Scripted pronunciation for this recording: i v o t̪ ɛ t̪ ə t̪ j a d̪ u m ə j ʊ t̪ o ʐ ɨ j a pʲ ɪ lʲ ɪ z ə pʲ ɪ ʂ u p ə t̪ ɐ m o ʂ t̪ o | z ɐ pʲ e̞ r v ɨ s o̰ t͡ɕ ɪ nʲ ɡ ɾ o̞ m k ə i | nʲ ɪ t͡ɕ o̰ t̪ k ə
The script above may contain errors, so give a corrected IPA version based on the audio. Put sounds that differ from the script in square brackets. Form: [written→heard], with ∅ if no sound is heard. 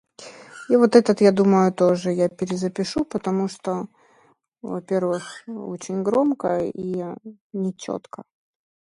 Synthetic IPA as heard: i v o t̪ ɛ t̪ ə t̪ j a d̪ u m ə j ʊ t̪ o ʐ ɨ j a pʲ ɪ [lʲ→ɾʲ] ɪ z ə pʲ ɪ ʂ u p ə t̪ ɐ m [o→u] ʂ t̪ o | [z→v] ɐ pʲ e̞ r v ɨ [s→x] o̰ t͡ɕ ɪ nʲ ɡ ɾ o̞ m k ə i | nʲ ɪ t͡ɕ o̰ t̪ k ə